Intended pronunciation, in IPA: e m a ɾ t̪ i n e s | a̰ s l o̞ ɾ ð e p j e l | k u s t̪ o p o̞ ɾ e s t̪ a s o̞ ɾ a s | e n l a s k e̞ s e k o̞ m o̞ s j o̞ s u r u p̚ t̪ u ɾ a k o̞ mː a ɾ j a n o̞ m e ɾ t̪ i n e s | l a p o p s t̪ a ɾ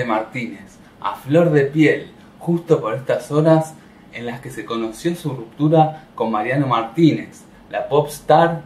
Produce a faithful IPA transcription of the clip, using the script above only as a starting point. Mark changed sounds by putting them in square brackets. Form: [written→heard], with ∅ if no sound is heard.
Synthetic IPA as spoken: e m a ɾ t̪ i n e s | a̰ [s→f] l o̞ ɾ ð e p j e l | [k→x] u s t̪ o p o̞ ɾ e s t̪ a s o̞ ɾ a s | e n l a s k e̞ s e k o̞ [m→n] o̞ s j o̞ s u r u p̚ t̪ u ɾ a k o̞ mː a ɾ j a n o̞ m [e→a] ɾ t̪ i n e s | l a p o p s t̪ a ɾ